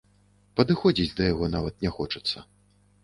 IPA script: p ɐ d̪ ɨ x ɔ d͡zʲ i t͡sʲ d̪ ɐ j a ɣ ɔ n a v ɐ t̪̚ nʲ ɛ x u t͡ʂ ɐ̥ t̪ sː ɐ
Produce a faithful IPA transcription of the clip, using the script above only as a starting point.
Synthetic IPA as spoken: p ɐ d̪ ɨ x ɔ d͡zʲ i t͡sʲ d̪ ɐ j a ɣ ɔ n a v ɐ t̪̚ nʲ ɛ x ɔ t͡ʂ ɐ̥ t̪ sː ɐ